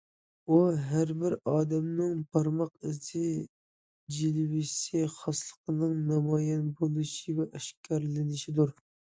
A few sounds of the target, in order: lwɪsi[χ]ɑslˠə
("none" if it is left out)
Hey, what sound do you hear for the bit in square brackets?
χ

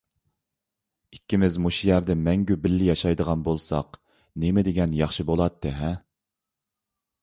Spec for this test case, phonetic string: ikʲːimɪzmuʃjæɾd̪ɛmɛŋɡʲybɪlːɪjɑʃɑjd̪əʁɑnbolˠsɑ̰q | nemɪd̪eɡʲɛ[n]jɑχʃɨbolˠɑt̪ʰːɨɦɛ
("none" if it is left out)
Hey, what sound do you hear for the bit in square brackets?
n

